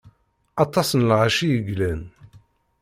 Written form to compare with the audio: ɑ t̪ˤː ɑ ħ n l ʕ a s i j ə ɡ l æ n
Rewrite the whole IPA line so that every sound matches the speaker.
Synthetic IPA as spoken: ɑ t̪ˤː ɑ s n l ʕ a ʃ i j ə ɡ l æ n